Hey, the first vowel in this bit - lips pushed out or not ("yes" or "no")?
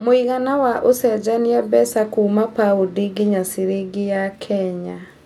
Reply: yes